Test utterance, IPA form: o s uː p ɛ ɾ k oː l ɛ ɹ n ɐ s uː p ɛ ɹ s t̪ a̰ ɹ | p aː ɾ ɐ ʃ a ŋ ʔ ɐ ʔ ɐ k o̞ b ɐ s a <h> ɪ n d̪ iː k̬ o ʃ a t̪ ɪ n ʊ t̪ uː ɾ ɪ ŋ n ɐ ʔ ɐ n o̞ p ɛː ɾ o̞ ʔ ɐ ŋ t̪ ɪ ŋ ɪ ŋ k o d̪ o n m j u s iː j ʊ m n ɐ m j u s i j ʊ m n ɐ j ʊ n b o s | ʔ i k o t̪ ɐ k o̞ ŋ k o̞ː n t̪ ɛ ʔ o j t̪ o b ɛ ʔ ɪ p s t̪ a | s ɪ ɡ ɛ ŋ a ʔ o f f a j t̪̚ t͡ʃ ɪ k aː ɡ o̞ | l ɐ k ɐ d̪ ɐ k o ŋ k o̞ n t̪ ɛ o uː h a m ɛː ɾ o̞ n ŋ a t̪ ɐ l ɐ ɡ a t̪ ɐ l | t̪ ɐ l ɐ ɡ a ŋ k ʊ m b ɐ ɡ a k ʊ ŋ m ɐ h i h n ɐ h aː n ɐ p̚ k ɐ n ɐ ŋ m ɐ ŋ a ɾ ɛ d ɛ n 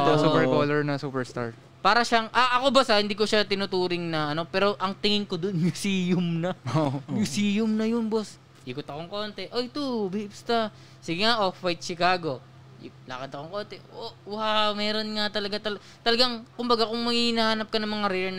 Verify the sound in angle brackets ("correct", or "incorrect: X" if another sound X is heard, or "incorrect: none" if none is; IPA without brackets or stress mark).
correct